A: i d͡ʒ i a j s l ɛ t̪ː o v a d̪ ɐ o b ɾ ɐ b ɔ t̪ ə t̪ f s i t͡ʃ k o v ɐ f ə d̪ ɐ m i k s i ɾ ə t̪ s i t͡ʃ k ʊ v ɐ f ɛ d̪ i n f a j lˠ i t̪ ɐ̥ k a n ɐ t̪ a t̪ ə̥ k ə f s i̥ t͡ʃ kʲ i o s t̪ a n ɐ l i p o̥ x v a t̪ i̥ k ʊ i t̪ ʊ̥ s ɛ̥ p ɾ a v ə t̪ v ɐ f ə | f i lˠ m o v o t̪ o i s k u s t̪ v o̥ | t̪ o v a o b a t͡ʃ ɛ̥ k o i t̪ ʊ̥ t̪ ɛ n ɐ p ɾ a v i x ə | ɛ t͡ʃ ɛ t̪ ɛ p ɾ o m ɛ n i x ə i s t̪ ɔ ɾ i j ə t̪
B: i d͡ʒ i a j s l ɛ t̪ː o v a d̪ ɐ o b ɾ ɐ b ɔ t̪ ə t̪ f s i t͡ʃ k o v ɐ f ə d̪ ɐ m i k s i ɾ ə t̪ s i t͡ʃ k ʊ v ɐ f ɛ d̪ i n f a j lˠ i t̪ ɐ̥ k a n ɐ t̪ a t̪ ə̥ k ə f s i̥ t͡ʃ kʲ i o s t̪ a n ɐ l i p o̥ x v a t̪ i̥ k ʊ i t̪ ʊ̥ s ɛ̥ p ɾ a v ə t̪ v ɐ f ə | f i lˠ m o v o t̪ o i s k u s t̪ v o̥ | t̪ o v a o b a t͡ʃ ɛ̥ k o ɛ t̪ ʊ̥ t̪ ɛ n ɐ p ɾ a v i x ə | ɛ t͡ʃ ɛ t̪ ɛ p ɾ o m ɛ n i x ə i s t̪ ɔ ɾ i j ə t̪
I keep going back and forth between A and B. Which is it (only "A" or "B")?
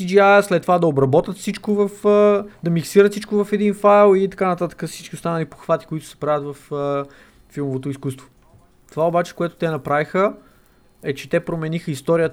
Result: B